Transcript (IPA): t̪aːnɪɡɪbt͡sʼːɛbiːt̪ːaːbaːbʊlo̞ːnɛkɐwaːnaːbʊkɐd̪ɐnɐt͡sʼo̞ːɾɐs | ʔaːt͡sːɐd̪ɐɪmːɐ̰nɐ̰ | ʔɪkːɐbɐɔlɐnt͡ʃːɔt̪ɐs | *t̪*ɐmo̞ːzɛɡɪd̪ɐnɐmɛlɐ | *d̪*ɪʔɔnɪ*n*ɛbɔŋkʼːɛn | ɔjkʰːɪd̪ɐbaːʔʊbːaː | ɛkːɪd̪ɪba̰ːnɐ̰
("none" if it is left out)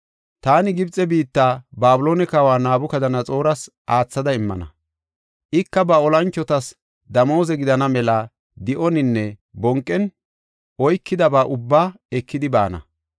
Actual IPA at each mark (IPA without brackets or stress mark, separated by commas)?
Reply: d̪, d̪, nː